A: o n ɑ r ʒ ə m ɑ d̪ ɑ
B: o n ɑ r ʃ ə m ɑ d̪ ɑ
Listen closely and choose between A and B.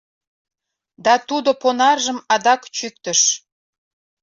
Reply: A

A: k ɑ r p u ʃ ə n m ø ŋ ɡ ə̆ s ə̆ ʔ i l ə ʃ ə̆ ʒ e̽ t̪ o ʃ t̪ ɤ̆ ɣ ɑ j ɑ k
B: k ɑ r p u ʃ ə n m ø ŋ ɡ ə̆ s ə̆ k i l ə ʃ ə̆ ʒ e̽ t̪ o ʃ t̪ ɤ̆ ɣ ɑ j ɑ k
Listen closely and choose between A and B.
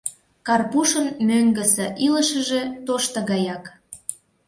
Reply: A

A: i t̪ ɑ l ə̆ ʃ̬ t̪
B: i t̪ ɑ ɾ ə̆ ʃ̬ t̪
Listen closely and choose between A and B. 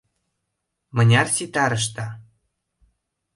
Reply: B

